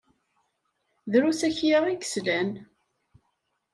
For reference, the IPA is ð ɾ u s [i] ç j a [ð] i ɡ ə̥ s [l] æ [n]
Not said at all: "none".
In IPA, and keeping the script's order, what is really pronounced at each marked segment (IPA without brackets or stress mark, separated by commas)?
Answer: æ, ʁ, l, n